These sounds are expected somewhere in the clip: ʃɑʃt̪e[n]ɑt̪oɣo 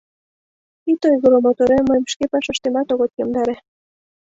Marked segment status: incorrect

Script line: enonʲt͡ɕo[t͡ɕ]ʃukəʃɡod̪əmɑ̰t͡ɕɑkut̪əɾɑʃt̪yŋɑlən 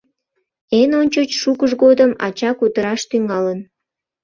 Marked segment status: correct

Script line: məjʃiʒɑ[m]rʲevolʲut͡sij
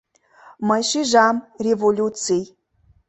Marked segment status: correct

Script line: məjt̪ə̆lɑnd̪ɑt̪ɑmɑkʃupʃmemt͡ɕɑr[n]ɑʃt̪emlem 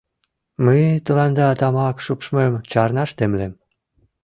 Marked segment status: correct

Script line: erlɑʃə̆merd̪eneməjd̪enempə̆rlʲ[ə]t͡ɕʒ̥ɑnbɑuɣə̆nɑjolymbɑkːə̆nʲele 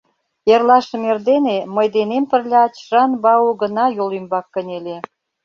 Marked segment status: incorrect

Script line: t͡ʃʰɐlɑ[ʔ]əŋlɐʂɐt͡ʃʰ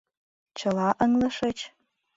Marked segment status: correct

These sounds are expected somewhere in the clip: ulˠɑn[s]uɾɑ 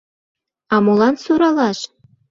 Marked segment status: correct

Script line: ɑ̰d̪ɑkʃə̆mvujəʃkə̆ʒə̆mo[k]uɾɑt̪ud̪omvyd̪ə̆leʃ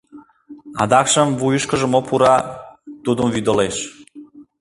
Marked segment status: incorrect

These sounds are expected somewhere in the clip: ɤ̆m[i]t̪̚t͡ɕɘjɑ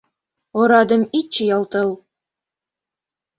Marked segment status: correct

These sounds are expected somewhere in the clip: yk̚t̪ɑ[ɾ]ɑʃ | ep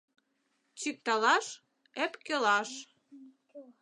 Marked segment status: incorrect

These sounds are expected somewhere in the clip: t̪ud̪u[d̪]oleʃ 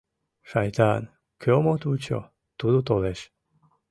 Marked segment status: incorrect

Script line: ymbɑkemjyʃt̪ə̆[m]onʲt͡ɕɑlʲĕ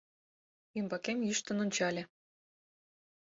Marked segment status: incorrect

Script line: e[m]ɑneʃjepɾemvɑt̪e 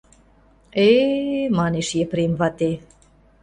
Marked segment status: correct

